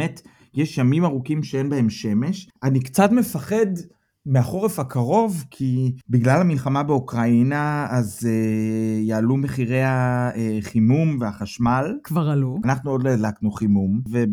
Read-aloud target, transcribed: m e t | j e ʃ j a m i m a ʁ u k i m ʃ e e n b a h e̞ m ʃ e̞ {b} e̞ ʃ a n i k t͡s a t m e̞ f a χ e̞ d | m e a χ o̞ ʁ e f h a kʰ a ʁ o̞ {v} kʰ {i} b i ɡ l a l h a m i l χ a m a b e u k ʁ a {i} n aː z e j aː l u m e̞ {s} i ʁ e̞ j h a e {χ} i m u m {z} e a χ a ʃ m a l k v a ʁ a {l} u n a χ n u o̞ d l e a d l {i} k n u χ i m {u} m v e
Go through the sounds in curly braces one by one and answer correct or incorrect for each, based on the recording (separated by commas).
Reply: incorrect, correct, correct, correct, incorrect, correct, incorrect, correct, incorrect, correct